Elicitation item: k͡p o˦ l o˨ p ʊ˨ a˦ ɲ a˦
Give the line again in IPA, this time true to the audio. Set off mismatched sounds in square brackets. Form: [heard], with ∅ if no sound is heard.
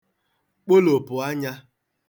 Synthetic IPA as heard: k͡p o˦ l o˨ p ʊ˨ a˦ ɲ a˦

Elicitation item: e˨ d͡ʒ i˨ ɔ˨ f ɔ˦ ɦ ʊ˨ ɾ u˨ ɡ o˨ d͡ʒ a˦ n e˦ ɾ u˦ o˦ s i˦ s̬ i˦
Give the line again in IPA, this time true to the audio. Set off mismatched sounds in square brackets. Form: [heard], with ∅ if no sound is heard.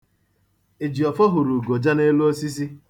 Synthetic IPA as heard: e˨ d͡ʒ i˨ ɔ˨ f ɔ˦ ɦ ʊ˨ ɾ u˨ ɡ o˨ d͡ʒ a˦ n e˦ [l] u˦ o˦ s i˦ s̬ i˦

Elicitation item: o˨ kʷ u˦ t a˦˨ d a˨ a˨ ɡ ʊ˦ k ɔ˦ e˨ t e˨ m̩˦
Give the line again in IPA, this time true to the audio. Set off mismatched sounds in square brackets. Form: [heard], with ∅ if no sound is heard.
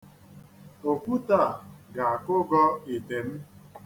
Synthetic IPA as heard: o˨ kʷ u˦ t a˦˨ [ɡ] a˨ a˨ [k] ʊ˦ [ɡ] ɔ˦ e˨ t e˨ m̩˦

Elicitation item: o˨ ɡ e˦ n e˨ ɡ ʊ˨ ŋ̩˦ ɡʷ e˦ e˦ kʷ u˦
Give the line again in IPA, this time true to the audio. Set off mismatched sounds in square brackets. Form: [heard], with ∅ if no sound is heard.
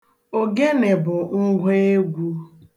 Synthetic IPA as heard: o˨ ɡ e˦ n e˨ [b] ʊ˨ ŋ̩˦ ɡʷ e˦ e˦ [ɡʷ] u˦

